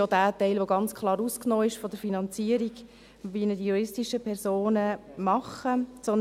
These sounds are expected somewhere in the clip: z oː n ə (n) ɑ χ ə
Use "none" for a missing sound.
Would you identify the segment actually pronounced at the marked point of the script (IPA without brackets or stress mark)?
m